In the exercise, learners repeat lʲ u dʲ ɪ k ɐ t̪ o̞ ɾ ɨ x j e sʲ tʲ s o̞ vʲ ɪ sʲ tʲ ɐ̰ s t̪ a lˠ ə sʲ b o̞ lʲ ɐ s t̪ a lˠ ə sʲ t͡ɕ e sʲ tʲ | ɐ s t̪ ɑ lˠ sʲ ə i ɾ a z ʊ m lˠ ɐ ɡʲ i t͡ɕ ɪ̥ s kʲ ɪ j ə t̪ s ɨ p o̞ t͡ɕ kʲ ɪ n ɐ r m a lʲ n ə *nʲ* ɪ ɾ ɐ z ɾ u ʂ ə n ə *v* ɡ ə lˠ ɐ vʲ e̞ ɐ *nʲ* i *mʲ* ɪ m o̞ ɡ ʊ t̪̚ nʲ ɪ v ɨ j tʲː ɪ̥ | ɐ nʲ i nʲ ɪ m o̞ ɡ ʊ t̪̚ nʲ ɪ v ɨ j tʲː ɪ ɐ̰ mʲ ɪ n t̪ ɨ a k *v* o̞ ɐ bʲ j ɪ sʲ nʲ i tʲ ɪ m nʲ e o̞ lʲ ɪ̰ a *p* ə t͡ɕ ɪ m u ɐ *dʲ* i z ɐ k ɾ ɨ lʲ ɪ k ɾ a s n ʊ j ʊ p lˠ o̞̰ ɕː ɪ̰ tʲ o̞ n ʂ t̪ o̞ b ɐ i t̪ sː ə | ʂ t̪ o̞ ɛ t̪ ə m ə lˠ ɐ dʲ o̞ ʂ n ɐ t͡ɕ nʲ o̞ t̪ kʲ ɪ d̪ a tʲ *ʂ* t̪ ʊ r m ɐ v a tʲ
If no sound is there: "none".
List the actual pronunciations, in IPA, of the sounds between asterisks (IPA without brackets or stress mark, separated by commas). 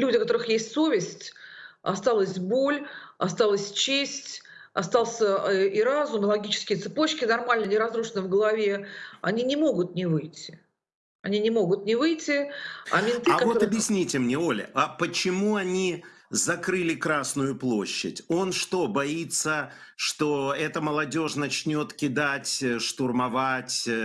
nʲ, v, nʲ, nʲ, v, p, nʲ, ʂ